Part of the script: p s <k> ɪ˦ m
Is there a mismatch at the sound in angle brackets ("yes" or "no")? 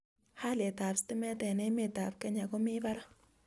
yes